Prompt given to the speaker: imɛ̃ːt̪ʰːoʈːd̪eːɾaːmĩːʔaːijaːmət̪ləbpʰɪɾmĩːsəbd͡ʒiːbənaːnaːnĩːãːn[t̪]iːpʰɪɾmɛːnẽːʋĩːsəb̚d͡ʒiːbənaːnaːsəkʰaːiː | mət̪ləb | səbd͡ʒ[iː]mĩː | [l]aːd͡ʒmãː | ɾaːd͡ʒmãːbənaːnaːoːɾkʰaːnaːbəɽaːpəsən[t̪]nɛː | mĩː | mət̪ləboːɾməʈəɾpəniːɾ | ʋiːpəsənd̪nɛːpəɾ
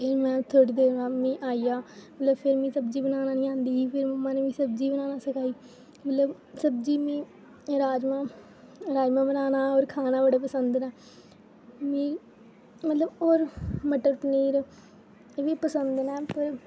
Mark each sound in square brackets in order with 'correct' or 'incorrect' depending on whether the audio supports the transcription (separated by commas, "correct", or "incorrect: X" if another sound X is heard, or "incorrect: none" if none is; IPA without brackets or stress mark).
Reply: incorrect: d̪, correct, incorrect: ɾ, incorrect: d̪